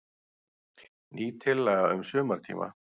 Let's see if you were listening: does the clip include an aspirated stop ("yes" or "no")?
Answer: yes